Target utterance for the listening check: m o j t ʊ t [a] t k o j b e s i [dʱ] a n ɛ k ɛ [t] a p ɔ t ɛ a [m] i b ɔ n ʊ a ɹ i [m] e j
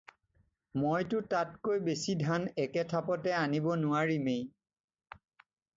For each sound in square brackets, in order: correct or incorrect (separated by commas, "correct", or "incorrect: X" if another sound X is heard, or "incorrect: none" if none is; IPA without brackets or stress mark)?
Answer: correct, correct, incorrect: tʰ, incorrect: n, correct